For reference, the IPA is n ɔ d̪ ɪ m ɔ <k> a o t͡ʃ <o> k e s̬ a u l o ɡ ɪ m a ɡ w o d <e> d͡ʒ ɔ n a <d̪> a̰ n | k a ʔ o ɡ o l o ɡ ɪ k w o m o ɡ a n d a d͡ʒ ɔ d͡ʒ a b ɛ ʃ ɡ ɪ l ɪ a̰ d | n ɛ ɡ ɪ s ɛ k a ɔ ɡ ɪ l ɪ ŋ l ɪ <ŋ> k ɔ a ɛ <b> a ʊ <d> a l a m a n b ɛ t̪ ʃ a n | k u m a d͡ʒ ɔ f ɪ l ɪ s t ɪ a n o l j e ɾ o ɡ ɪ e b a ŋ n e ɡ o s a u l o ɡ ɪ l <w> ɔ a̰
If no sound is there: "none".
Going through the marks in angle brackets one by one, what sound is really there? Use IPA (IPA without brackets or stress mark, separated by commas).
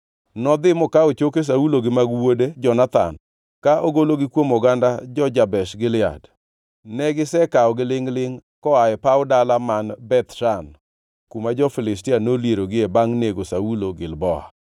k, o, e, t̪, ŋ, p, d, b